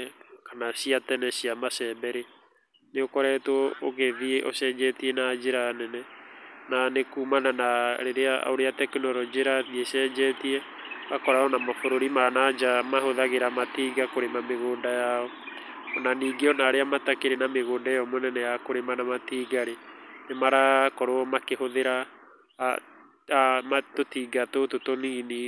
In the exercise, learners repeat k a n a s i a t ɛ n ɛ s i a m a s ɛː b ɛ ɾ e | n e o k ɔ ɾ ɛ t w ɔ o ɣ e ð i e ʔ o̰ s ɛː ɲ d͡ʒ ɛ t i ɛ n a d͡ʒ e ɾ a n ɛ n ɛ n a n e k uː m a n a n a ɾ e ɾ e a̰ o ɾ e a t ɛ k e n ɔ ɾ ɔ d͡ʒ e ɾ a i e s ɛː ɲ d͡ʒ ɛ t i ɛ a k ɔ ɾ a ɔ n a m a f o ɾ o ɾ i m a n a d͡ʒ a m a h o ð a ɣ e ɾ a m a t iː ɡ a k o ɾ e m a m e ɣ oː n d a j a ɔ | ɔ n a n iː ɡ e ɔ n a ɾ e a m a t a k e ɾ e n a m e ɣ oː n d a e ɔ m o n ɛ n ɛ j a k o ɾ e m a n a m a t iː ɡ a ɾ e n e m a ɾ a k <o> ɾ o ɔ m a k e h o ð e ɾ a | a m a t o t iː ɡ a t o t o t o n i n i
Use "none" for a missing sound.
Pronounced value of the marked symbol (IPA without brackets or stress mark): ɔ